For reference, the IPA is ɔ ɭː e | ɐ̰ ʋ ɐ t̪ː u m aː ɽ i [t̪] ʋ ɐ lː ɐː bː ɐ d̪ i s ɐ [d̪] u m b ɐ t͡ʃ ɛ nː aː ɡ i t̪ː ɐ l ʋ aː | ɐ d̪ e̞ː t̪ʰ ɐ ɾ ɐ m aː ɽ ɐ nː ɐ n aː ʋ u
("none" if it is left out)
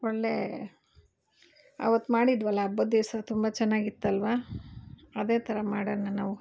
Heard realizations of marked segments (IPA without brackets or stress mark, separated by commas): d̪, t̪